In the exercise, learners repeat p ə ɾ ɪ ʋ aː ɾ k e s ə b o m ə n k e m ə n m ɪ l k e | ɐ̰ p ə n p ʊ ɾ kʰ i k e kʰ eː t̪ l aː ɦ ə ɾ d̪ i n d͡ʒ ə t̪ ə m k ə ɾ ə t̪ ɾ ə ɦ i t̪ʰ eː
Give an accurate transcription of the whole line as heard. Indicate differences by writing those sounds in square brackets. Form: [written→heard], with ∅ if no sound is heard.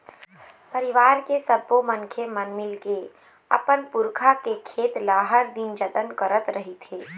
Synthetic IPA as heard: p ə ɾ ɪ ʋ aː ɾ k e s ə b o m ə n [k→kʰ] e m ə n m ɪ l k e | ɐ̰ p ə n p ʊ ɾ kʰ [i→a] k e kʰ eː t̪ l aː ɦ ə ɾ d̪ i n d͡ʒ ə t̪ ə [m→n] k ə ɾ ə t̪ ɾ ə ɦ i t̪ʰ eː